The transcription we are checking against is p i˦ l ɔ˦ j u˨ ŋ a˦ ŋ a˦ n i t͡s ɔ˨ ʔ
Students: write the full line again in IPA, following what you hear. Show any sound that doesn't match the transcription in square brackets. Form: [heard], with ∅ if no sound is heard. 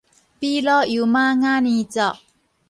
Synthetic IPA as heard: p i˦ l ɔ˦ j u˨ [m] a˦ ŋ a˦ n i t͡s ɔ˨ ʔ